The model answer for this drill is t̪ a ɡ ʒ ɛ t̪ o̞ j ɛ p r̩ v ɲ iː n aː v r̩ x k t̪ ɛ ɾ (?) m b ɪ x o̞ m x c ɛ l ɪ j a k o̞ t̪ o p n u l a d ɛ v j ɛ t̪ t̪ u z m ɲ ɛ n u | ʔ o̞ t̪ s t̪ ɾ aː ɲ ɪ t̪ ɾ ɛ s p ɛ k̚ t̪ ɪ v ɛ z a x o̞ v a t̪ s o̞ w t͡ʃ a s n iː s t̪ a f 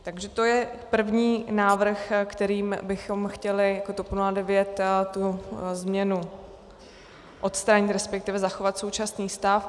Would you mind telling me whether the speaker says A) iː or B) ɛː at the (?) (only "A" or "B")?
A